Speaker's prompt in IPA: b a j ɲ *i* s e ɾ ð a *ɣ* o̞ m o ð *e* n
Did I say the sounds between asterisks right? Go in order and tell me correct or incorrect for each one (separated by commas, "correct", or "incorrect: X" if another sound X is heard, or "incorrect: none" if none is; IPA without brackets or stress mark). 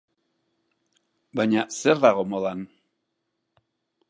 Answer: incorrect: a, correct, incorrect: a